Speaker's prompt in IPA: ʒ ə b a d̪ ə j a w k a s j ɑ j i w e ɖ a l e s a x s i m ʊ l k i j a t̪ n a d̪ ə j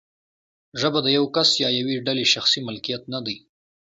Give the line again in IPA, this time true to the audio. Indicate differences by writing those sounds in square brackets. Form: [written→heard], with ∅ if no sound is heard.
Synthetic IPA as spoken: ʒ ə b a d̪ ə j a w k a s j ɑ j [i→a] w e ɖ a l e [s→ʃ] a x s i m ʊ l k i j a t̪ n a d̪ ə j